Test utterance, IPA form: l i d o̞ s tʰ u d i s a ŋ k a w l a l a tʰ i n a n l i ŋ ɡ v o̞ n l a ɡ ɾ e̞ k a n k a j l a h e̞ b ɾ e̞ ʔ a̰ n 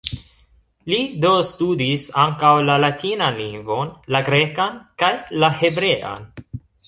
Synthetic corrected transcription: l i d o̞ s t u d i s a ŋ k a w l a l a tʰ i n a n l i ŋ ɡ v o̞ n l a ɡ ɾ e̞ k a n k a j l a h e̞ b ɾ e̞ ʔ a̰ n